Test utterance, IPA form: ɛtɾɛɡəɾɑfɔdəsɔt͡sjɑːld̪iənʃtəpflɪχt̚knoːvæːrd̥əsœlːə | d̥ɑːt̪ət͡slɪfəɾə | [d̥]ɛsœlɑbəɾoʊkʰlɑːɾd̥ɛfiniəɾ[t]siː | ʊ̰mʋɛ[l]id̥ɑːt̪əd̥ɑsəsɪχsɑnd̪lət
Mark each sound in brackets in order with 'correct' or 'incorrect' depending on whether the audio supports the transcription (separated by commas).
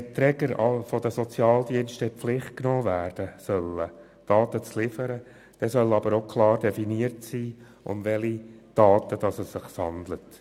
correct, correct, correct